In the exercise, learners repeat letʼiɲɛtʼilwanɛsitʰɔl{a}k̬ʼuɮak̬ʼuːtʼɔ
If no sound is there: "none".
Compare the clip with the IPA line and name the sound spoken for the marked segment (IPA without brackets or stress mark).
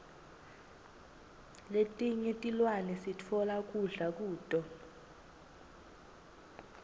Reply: a